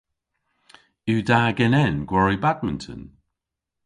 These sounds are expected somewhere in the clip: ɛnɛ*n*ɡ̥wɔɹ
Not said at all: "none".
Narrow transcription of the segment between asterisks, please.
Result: n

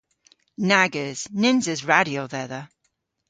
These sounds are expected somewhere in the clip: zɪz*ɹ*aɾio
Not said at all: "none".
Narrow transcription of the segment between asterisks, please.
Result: ɹ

